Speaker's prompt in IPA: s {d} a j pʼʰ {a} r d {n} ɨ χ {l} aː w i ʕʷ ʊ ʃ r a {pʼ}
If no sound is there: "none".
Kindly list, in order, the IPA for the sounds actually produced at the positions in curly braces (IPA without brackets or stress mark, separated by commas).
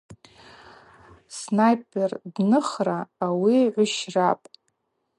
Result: n, e, n, r, pʼ